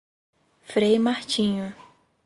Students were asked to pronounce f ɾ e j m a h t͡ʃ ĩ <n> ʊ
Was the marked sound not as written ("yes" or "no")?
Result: yes